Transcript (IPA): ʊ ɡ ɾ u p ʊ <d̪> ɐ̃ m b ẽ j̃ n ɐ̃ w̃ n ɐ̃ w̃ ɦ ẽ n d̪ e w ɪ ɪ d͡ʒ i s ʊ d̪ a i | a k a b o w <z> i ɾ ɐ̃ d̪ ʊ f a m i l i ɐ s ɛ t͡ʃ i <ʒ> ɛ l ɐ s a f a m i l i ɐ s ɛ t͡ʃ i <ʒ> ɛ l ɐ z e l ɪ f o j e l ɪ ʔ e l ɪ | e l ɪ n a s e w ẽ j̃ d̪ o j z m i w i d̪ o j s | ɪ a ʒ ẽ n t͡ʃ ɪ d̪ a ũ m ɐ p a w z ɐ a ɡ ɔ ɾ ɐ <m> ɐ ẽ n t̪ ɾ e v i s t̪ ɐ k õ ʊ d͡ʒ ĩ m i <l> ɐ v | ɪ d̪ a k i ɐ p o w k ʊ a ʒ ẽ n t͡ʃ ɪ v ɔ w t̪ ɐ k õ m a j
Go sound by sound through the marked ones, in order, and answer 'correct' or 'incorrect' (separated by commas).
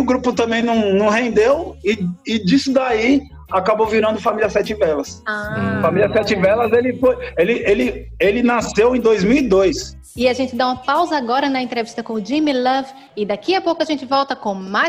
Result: incorrect, incorrect, incorrect, incorrect, incorrect, correct